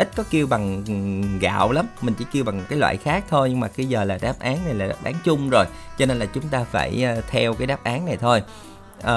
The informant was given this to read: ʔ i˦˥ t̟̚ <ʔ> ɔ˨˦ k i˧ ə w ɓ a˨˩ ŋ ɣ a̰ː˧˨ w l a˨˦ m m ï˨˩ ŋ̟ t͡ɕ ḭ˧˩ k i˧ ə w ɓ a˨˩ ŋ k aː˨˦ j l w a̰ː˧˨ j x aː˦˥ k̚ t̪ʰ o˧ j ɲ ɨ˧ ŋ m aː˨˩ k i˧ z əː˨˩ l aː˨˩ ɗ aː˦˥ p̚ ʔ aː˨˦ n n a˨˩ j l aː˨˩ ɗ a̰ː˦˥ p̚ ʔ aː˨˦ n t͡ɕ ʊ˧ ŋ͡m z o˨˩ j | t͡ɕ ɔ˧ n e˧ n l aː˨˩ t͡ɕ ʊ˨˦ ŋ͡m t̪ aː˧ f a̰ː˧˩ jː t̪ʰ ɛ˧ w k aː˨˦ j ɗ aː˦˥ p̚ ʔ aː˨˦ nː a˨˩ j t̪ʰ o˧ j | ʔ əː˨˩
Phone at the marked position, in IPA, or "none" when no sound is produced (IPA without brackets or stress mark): k